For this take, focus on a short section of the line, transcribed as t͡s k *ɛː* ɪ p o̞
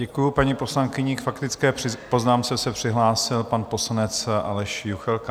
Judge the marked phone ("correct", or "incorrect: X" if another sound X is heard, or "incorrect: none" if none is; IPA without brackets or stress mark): correct